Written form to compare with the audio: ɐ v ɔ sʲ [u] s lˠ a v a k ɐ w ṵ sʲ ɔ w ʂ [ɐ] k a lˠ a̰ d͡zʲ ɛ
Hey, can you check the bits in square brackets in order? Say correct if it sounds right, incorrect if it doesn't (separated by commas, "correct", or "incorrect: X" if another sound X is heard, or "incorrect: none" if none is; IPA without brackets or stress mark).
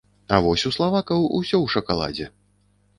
correct, correct